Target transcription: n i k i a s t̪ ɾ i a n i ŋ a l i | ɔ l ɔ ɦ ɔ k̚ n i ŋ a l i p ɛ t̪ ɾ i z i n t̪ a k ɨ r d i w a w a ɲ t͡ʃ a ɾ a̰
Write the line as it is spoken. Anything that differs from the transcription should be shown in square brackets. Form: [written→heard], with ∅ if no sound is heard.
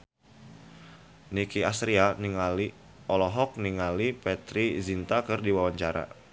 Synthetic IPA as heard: n i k i a s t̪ ɾ i a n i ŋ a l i | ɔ l ɔ ɦ ɔ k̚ n i ŋ a l i p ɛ t̪ ɾ i z i n t̪ a k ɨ r d i w a w a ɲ t͡ʃ a ɾ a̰